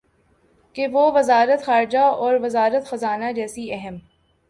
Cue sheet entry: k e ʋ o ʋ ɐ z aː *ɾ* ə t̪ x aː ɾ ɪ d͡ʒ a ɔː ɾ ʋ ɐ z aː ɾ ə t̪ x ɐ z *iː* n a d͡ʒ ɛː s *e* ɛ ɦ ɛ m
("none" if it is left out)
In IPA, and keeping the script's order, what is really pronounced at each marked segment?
ɾ, aː, i

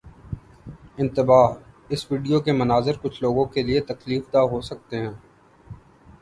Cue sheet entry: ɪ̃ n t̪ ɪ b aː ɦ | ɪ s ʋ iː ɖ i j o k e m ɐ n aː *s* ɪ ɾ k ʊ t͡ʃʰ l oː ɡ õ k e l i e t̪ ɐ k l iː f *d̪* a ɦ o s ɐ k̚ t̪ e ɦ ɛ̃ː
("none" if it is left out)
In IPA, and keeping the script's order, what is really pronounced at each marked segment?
z, d̪

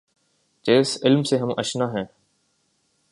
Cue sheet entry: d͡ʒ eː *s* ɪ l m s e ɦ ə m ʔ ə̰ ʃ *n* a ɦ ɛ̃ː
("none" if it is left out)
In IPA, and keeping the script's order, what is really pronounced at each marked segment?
s, n

